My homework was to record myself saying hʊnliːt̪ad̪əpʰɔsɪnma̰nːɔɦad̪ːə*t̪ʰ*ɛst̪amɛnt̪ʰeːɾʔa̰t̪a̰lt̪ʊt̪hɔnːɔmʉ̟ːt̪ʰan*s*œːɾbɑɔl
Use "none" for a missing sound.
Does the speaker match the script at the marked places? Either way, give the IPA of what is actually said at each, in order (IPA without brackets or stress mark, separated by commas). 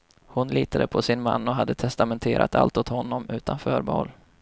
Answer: t̪ʰ, f